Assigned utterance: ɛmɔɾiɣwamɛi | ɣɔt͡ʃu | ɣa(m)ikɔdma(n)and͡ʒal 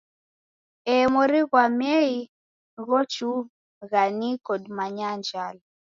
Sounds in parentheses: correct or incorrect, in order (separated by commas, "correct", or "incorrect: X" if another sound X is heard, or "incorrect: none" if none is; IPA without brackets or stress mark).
incorrect: n, incorrect: ɲ